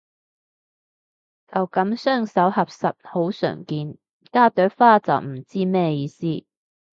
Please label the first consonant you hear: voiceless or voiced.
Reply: voiceless